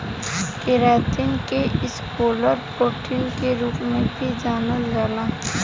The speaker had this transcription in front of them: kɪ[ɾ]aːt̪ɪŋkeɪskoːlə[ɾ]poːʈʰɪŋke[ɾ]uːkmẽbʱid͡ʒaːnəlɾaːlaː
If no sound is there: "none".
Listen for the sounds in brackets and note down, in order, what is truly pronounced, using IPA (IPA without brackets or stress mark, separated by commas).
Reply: ɾ, ɾ, ɾ